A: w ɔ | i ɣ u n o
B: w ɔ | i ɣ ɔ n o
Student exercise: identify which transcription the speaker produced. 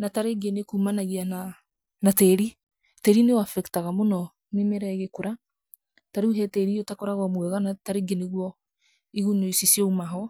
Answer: A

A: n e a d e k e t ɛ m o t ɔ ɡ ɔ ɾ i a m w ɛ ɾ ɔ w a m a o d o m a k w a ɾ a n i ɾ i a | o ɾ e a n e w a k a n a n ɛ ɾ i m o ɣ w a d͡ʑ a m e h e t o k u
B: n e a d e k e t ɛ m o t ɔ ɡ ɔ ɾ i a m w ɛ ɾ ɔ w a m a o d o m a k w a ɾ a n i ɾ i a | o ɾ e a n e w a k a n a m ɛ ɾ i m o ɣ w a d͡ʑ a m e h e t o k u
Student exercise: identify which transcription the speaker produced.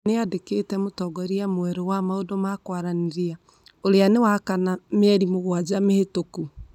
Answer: B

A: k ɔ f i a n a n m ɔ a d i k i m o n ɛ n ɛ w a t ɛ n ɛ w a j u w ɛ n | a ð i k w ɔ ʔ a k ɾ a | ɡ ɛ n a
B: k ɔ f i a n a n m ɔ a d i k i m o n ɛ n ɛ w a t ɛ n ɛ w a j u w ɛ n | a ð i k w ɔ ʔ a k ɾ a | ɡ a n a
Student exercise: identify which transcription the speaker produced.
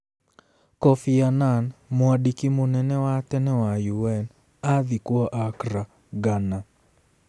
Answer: B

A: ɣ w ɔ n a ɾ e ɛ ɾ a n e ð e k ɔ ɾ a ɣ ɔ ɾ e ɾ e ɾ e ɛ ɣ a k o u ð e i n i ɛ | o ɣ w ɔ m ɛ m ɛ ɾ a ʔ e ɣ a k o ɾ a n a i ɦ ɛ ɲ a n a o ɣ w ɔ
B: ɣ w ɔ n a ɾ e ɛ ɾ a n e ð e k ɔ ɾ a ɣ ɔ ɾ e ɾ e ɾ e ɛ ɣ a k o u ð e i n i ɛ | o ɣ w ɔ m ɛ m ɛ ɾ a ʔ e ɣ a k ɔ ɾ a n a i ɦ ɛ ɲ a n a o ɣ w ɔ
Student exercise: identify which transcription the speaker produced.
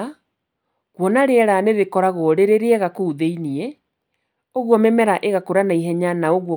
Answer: A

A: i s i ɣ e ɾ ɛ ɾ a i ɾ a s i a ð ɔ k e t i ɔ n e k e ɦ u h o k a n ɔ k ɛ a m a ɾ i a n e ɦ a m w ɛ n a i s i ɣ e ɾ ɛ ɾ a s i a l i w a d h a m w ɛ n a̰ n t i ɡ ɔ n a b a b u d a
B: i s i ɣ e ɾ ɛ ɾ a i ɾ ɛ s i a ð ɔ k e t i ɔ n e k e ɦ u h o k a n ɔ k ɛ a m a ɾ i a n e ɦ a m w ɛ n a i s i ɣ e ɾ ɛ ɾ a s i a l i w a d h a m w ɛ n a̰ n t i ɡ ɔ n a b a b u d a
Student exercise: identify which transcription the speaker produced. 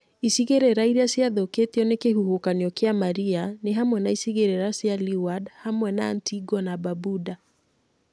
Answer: A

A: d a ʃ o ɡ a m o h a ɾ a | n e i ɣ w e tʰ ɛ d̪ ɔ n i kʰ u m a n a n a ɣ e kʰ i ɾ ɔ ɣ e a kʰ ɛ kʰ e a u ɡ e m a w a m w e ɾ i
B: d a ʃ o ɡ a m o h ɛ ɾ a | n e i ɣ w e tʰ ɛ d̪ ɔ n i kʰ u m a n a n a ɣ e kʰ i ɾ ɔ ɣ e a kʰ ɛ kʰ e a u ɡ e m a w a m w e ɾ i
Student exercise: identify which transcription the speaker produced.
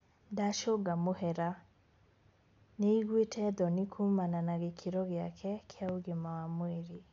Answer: B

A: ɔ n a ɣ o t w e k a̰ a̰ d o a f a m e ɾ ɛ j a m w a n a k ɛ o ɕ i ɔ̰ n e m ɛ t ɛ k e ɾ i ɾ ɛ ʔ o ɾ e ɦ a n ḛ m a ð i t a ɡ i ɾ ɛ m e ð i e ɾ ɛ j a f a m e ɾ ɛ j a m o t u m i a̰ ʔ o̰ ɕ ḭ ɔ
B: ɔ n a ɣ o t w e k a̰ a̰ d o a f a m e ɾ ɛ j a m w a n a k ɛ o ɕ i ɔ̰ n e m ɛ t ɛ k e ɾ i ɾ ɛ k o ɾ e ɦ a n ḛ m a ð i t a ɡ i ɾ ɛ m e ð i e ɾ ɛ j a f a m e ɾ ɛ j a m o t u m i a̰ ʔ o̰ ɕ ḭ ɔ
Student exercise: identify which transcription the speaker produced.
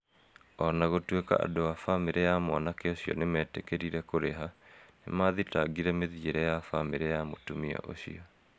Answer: B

